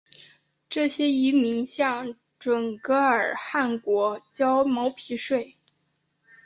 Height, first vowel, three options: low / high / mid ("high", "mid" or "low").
mid